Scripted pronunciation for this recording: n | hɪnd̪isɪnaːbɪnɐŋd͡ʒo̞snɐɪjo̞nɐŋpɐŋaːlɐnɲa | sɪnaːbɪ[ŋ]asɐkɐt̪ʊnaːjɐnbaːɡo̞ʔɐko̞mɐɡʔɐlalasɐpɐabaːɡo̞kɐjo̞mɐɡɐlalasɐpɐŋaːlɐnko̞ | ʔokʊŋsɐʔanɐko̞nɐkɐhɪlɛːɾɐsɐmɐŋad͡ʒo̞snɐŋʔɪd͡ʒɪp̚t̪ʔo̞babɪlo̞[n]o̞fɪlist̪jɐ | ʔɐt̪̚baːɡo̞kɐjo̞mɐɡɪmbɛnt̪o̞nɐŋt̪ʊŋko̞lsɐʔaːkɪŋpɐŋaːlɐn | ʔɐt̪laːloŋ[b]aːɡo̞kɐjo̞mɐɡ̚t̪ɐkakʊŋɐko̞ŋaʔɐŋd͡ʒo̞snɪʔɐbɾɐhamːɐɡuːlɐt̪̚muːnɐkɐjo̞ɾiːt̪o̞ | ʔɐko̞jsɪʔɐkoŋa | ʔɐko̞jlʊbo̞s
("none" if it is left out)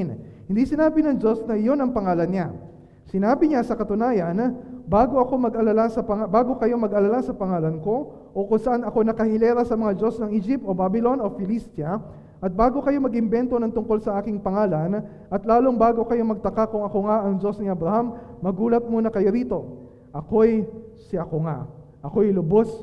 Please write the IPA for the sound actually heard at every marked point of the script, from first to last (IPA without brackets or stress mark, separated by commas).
ɲ, n, b